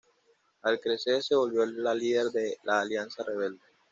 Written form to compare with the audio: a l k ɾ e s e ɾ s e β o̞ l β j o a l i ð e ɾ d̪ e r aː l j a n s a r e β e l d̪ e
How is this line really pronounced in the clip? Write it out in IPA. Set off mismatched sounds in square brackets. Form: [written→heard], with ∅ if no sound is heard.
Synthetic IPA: a l k ɾ e s e ɾ s e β o̞ l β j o a l i ð e ɾ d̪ e [r→l] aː l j a n s a r e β e l d̪ e